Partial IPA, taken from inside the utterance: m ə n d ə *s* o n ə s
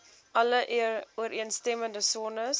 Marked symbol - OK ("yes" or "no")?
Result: yes